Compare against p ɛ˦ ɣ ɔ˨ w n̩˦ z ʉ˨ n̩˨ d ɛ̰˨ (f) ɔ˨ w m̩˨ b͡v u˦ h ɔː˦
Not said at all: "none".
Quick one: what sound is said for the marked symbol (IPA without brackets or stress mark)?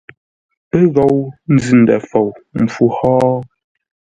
f